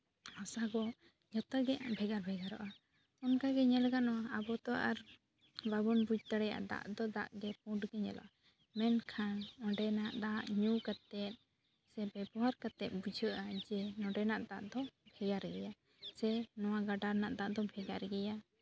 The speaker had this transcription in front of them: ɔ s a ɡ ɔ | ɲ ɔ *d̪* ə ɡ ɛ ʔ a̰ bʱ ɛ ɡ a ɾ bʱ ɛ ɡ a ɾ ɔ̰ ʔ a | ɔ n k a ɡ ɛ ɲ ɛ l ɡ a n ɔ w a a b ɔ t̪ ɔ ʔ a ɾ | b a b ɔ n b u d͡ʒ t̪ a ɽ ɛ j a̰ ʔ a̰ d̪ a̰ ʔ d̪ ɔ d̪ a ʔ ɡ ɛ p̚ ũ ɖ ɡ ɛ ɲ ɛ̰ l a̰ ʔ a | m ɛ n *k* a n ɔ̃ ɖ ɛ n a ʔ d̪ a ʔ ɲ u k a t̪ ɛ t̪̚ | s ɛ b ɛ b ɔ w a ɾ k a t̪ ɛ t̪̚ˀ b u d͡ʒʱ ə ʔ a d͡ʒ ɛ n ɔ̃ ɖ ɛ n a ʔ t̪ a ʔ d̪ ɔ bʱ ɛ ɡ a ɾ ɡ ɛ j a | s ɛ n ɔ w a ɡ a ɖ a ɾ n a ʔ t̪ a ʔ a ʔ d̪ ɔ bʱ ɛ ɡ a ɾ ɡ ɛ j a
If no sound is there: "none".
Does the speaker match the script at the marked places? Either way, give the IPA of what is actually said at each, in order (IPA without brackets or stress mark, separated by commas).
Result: t̪, kʰ